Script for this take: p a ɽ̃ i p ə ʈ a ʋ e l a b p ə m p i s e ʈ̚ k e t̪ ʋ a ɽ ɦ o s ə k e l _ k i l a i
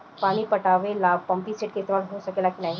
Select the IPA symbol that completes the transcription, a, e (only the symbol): a